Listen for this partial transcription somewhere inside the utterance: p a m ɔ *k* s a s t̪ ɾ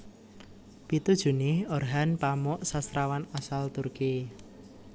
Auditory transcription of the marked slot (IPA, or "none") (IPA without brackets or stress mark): ʔ